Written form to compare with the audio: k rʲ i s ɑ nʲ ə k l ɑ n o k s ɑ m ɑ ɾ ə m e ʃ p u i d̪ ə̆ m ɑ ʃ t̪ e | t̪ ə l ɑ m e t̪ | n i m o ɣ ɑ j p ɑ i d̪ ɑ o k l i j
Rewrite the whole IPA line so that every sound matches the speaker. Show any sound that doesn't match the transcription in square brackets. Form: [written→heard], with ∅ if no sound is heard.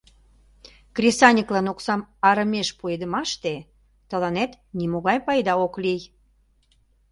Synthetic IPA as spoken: k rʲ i s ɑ nʲ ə k l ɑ n o k s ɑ m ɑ ɾ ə m e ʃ p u [i→e] d̪ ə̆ m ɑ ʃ t̪ e | t̪ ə l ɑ [m→n] e t̪ | n i m o ɣ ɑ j p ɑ [i→j] d̪ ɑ o k l i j